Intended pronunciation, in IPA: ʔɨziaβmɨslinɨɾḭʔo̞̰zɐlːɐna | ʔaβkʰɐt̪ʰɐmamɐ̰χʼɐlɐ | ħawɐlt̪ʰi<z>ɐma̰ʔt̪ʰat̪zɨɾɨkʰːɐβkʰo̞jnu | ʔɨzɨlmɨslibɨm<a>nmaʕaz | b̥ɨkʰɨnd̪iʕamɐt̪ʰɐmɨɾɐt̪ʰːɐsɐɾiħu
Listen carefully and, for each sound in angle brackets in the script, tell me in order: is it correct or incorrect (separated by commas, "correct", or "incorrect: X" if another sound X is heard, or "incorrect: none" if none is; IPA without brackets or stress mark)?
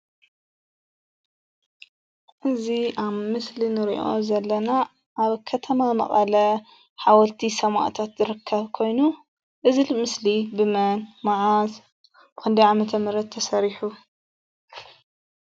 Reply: incorrect: s, incorrect: ɐ